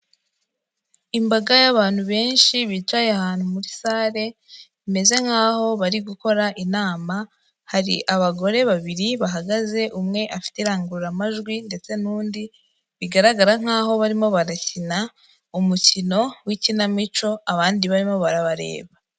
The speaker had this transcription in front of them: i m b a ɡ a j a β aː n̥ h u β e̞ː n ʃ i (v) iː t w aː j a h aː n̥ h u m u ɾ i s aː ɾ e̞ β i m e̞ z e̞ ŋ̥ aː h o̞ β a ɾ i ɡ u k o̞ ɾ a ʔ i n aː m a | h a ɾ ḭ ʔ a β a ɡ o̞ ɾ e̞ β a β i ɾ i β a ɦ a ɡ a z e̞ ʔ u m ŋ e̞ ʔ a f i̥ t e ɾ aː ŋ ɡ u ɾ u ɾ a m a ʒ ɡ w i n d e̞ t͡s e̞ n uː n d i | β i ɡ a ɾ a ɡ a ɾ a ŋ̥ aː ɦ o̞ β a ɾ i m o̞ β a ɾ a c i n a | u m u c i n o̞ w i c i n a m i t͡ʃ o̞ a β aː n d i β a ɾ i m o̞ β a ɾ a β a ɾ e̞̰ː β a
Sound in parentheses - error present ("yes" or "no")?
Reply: yes